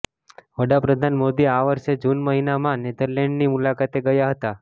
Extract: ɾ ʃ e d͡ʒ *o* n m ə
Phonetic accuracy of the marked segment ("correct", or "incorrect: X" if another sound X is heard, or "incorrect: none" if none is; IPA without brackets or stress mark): incorrect: u